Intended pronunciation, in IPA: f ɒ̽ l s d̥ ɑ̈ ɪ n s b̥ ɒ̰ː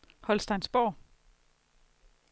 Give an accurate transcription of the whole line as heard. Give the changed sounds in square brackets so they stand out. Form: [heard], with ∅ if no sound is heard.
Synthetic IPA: [h] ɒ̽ l s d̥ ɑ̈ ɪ n s b̥ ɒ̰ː